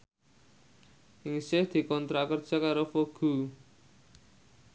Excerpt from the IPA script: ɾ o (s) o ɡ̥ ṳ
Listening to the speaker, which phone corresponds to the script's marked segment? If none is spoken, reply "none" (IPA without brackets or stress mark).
f